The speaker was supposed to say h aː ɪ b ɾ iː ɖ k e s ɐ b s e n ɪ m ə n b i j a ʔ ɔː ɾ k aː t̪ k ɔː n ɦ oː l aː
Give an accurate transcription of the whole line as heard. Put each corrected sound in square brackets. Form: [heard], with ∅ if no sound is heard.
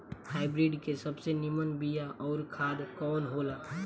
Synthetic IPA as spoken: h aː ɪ b ɾ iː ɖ k e s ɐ b s e n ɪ m ə n b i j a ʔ ɔː ɾ [kʰ] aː [d̪] k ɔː n ɦ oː l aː